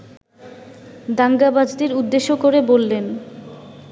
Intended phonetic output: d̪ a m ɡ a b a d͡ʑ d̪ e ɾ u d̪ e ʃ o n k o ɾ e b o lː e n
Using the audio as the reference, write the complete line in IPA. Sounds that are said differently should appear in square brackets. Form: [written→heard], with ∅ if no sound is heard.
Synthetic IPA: d̪ a [m→ŋ] ɡ a b a d͡ʑ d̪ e ɾ u [d̪→d̪ː] e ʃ o [n→∅] k o ɾ e b o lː e n